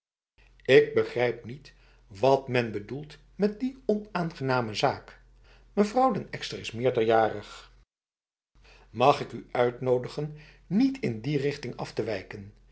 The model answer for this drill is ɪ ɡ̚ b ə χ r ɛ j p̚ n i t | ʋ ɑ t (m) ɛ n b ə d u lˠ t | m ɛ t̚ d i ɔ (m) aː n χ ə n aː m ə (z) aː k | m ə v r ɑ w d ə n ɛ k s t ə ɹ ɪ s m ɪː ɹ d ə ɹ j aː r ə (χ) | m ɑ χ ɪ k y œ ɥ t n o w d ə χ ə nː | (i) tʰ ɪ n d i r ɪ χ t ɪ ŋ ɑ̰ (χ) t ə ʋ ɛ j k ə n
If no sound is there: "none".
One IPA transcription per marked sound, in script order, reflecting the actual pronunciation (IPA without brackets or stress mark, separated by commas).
m, n, z, χ, i, f